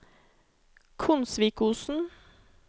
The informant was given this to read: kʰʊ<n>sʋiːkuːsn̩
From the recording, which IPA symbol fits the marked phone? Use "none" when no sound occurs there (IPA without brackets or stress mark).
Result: n